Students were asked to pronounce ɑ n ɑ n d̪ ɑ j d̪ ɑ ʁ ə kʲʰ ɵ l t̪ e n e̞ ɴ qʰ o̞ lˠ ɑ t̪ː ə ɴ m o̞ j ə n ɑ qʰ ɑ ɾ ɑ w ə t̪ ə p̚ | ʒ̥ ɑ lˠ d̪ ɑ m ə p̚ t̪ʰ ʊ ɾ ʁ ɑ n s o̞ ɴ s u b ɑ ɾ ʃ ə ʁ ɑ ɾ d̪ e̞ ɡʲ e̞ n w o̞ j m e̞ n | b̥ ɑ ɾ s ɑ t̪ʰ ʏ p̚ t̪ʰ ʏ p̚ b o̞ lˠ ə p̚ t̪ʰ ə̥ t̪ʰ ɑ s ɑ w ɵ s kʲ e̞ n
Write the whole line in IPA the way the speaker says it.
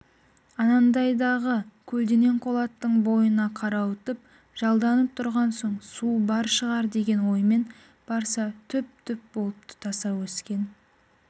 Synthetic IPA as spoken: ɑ n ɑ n d̪ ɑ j d̪ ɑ ʁ ə kʲʰ ɵ l d̪ e n e̞ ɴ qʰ o̞ lˠ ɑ t̪ː ə ɴ b o̞ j ə n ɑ qʰ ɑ ɾ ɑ w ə t̪ ə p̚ | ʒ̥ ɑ lˠ d̪ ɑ n ə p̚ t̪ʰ ʊ ɾ ʁ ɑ n s o̞ ɴ s u b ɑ ɾ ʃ ə ʁ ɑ ɾ d̪ e̞ ɡʲ e̞ n w o̞ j m e̞ n | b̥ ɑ ɾ s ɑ t̪ʰ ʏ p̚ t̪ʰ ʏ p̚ b o̞ lˠ ə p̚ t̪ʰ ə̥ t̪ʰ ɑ s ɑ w ɵ s kʲ e̞ n